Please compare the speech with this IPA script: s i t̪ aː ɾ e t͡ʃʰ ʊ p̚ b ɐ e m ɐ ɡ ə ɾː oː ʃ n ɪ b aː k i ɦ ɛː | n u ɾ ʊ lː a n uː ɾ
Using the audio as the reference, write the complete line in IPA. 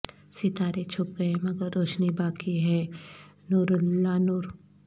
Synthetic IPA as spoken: s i t̪ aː ɾ e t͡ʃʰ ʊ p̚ ɡ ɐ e m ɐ ɡ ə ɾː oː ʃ n i b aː k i ɦ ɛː | n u ɾ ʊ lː a n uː ɾ